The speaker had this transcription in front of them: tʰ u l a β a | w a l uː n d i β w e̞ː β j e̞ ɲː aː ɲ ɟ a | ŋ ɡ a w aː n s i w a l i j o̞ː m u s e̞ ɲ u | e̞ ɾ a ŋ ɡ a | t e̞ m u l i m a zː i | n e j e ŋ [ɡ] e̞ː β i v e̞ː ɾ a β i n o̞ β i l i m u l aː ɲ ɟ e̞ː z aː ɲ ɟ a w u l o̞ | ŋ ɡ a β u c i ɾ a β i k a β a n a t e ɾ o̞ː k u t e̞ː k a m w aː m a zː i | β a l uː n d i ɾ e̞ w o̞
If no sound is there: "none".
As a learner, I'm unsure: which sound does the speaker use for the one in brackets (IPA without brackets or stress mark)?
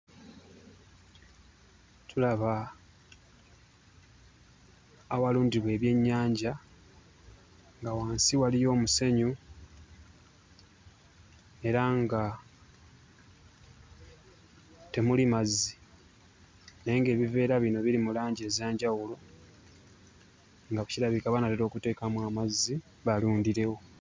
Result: ɡ